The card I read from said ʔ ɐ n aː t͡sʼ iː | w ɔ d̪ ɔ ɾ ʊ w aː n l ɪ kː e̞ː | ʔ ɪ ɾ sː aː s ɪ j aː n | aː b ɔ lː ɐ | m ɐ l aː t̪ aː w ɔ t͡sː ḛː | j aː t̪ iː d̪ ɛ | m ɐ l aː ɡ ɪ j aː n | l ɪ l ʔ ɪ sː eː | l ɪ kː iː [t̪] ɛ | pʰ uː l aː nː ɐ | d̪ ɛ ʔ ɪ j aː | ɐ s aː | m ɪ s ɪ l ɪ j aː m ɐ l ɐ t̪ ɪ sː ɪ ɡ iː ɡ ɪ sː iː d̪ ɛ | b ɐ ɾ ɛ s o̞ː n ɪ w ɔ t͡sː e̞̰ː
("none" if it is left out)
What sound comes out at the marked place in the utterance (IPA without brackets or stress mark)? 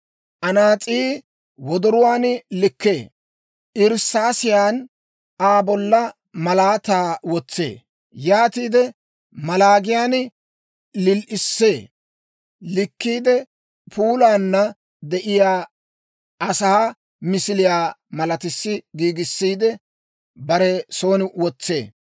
d̪